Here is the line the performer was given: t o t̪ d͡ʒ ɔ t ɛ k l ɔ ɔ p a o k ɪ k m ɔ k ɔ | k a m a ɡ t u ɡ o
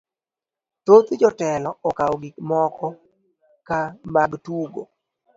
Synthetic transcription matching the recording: t o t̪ d͡ʒ ɔ t ɛ l ɔ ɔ k a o ɡ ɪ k m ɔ k ɔ | k a m a ɡ t u ɡ o

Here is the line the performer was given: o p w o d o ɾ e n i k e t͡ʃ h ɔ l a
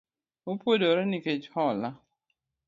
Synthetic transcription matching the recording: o p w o d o ɾ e n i k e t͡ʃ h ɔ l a

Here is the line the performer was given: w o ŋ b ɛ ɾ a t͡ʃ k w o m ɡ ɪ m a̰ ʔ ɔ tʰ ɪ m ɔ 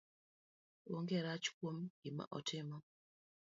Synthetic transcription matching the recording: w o ŋ ɡ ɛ ɾ a t͡ʃ k w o m ɡ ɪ m a̰ ʔ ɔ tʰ ɪ m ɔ

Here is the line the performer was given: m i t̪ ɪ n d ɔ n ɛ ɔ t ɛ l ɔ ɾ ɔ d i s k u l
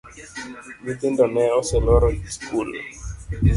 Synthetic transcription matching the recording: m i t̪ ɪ n d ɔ n ɛ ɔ s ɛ l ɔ ɾ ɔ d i s k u l

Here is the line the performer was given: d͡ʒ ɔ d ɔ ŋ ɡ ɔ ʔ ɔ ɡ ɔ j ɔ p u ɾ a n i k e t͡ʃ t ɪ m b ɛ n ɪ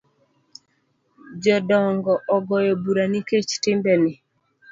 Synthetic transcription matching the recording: d͡ʒ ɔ d ɔ ŋ ɡ ɔ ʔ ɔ ɡ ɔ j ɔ b u ɾ a n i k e t͡ʃ t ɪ m b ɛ n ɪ

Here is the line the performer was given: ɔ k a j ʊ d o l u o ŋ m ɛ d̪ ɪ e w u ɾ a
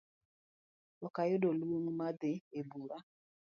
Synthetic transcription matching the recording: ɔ k a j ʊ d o l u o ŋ m a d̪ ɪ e b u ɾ a

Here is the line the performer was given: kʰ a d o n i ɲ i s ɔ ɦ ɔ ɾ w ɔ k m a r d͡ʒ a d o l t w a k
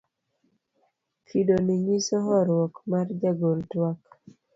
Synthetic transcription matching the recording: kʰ i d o n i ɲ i s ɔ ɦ ɔ ɾ w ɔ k m a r d͡ʒ a ɡ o l t w a k

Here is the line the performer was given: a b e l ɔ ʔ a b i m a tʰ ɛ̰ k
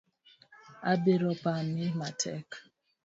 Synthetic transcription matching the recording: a b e ɾ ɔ p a m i m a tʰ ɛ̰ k

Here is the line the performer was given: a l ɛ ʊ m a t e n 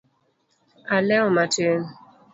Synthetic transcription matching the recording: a l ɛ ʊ m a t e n

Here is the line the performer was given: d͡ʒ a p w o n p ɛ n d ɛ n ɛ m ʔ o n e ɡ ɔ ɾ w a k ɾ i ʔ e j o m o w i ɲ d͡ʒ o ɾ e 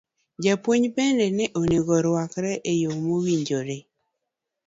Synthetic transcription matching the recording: d͡ʒ a p w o ɲ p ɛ n d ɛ n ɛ ʔ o n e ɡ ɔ ɾ w a k ɾ ɛ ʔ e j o m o w i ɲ d͡ʒ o ɾ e

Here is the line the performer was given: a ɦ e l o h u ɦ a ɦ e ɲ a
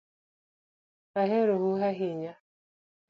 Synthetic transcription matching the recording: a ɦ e ɾ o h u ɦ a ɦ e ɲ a

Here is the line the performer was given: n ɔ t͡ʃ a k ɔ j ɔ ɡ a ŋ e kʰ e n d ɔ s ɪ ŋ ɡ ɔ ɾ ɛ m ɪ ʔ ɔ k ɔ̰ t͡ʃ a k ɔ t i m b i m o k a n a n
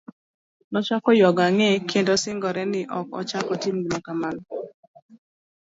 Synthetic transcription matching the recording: n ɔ t͡ʃ a k ɔ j ɔ ɡ a ŋ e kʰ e n d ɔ s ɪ ŋ ɡ ɔ ɾ ɛ n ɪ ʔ ɔ k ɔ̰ t͡ʃ a k ɔ t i m ɡ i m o k a m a n

